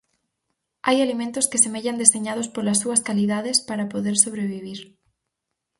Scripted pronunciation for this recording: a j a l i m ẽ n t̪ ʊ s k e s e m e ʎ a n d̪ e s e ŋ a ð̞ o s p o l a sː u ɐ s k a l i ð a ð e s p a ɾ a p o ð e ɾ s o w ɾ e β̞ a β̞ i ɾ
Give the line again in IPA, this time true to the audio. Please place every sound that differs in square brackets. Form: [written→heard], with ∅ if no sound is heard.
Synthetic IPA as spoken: a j a l i m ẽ n t̪ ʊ s k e s e m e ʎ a n d̪ e s e [ŋ→ɲ] a ð̞ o s p o l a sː u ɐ s k a l i ð a ð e s p a ɾ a p o ð e ɾ s o [w→β] ɾ e β̞ [a→i] β̞ i ɾ